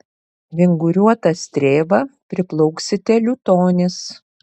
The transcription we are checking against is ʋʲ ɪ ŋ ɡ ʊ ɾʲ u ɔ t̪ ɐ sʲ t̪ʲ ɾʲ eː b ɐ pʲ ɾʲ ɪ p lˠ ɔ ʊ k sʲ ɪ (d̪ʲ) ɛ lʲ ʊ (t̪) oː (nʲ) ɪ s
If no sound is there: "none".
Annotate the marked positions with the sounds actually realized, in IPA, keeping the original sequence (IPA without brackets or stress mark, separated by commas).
t̪ʲ, t̪, nʲ